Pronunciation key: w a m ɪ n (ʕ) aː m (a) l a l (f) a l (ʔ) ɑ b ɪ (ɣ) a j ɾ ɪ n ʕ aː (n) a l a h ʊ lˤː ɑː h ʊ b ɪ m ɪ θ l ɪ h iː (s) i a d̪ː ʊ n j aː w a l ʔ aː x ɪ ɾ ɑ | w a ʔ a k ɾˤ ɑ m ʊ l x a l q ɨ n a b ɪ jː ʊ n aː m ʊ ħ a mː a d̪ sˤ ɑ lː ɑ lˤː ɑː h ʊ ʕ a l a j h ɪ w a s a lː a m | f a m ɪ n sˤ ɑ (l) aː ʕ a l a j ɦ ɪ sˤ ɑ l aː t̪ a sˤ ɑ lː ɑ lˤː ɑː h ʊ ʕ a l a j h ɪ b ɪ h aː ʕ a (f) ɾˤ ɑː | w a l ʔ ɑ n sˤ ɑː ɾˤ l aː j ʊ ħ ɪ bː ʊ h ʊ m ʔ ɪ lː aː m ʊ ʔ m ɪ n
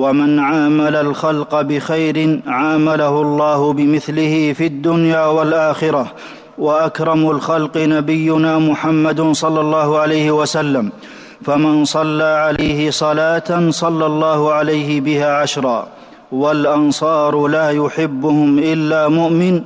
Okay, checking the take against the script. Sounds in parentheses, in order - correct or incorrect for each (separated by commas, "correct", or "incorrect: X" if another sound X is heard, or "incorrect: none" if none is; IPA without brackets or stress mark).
correct, correct, incorrect: x, incorrect: q, incorrect: x, incorrect: m, incorrect: f, incorrect: lː, incorrect: ʃ